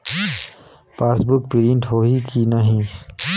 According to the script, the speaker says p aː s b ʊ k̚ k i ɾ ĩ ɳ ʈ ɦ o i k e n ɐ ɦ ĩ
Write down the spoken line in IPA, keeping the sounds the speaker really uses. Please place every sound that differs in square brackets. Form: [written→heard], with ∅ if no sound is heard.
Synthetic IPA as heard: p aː s b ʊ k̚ [k→p] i ɾ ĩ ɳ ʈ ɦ o i k [e→i] n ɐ ɦ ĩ